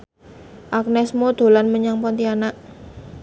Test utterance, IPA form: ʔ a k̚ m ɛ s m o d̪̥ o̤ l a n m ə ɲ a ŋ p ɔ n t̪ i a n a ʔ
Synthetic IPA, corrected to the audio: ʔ a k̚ n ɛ s m o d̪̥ o̤ l a n m ə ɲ a ŋ p ɔ n t̪ i a n a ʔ